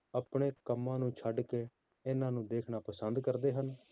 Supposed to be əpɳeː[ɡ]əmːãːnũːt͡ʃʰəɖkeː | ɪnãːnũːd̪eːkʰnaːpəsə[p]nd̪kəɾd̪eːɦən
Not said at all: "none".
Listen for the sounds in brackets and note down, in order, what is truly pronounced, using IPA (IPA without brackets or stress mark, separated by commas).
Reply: k, none